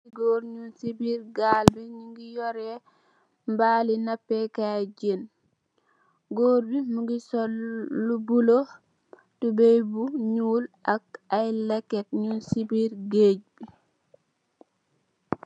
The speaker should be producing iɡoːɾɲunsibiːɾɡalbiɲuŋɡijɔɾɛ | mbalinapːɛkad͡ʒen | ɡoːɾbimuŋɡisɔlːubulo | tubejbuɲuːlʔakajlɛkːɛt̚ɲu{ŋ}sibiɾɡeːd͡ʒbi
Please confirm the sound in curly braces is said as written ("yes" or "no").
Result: no